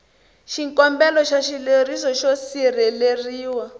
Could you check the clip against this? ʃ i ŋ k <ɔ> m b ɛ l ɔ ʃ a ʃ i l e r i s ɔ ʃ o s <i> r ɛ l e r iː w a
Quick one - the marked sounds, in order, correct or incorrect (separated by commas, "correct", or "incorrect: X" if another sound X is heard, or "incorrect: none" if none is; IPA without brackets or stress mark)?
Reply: correct, correct